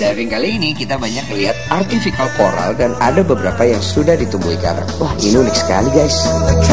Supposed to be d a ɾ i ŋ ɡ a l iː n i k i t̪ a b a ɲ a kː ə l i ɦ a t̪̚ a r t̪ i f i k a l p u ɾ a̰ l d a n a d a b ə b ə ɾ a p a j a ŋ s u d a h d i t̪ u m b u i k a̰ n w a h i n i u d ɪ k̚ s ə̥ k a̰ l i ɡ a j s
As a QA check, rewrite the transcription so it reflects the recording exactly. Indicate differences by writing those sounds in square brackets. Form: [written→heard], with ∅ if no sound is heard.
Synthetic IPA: d a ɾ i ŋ [ɡ→k] a l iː n i k i t̪ a b a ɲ a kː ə l i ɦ a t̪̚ a r t̪ i f i k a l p [u→o] ɾ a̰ l d a n a d a b ə b ə ɾ a p a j a ŋ s u d a h d i t̪ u m b u i k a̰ n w a h i n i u [d→n] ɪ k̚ s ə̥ k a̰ l i ɡ a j s

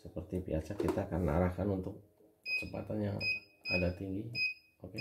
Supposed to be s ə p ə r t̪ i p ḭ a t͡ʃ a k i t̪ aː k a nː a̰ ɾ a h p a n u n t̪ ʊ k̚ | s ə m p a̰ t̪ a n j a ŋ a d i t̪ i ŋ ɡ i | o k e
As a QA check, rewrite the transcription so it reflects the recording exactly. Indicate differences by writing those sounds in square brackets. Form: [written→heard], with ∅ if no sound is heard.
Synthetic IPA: s ə p ə r t̪ i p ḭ a t͡ʃ a k i t̪ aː k a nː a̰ ɾ a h [p→k] a n u n t̪ ʊ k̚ | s ə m p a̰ t̪ a n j a ŋ a d [i→a] t̪ i ŋ ɡ i | o k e

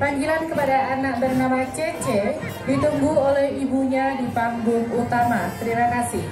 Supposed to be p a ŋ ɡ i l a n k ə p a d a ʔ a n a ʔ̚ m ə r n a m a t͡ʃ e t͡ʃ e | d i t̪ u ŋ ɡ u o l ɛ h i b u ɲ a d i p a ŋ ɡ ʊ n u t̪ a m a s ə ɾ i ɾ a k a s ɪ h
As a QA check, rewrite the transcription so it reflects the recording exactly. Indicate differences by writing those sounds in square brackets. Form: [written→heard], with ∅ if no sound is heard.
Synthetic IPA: p a ŋ ɡ i l a n k ə p a d a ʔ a n a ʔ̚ [m→b] ə r n a m a t͡ʃ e t͡ʃ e | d i t̪ u ŋ ɡ u o l ɛ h i b u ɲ a d i p a ŋ ɡ ʊ [n→ŋ] u t̪ a m a s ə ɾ i ɾ a k a s ɪ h

